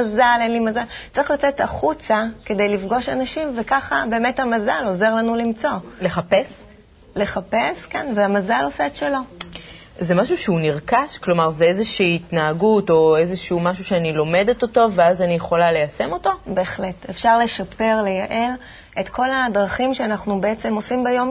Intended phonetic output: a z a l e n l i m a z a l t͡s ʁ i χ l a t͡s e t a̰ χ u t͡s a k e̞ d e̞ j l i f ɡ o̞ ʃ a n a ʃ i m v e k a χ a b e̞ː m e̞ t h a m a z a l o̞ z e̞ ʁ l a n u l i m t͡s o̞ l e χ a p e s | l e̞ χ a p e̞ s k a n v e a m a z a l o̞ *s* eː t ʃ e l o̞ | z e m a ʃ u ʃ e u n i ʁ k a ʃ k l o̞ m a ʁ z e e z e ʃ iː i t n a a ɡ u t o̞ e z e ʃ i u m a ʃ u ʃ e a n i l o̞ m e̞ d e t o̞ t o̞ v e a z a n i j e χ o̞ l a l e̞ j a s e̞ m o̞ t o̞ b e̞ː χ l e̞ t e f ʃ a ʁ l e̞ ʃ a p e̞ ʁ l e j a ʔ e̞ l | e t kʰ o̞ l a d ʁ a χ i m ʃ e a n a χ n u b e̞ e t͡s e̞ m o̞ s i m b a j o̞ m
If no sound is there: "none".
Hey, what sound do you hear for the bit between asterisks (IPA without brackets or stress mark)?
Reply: s